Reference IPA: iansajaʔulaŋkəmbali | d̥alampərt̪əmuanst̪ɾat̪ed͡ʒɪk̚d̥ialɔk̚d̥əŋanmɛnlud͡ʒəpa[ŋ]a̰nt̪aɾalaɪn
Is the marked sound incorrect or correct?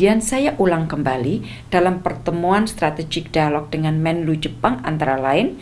correct